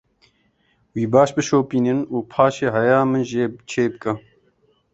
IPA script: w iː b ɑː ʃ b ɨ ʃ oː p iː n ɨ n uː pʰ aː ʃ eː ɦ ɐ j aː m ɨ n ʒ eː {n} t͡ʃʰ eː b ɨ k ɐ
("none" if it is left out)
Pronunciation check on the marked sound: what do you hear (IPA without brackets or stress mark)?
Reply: none